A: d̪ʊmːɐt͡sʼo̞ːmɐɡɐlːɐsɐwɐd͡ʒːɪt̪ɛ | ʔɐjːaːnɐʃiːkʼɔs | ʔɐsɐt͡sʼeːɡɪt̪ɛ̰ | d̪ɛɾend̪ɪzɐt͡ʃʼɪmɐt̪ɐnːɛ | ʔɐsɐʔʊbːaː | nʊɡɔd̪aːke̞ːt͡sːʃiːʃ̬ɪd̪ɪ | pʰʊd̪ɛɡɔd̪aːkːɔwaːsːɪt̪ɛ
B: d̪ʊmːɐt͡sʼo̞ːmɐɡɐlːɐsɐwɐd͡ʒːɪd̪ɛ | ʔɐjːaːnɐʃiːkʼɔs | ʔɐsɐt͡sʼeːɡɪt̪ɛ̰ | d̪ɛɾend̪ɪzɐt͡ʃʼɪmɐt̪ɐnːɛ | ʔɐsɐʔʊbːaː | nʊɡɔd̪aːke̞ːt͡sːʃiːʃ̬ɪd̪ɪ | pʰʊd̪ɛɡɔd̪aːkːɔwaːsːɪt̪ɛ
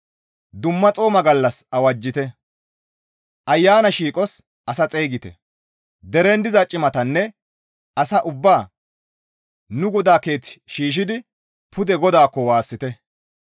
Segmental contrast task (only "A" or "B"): A